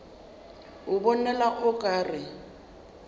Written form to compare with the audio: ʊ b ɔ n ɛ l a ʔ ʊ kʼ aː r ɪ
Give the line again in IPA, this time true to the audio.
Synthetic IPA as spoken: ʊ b ɔ n ɛ l a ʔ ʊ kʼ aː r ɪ